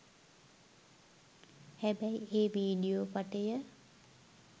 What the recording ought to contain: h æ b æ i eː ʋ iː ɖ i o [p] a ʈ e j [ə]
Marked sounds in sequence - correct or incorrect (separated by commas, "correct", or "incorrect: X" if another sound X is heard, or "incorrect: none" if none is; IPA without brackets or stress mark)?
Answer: correct, correct